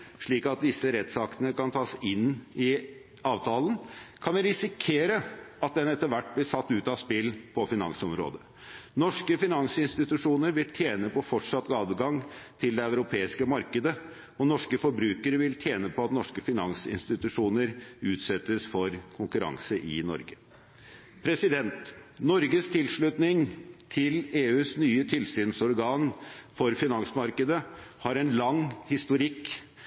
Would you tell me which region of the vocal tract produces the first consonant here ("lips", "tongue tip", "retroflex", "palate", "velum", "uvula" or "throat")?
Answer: retroflex